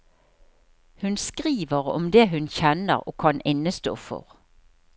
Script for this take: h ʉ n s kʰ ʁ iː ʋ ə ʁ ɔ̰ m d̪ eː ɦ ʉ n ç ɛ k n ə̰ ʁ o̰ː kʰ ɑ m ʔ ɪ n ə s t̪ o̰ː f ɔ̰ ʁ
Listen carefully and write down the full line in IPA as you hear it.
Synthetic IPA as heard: h ʉ n s k ʁ iː ʋ ə ʁ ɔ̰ m d̪ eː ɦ ʉ n ç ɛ n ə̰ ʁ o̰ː kʰ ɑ n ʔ ɪ n ə s t̪ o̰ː f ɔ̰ ʁ